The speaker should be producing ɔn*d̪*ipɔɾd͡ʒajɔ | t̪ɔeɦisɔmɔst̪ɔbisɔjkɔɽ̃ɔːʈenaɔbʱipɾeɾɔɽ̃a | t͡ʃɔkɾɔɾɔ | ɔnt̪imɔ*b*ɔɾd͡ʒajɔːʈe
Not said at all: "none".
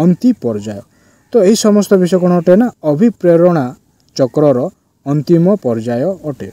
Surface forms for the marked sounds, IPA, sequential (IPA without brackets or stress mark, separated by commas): t̪, p